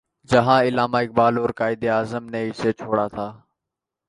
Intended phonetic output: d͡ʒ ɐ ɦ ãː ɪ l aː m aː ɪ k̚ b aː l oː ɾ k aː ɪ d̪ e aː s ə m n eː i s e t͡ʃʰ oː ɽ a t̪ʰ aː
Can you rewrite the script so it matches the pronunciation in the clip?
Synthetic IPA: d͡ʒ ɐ ɦ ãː ɪ l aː m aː ɪ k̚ b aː l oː ɾ k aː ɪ d̪ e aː z ə m n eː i s e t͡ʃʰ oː ɽ a t̪ʰ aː